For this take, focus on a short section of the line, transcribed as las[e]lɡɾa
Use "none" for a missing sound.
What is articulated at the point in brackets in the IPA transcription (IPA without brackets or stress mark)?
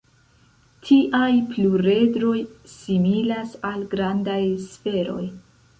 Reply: a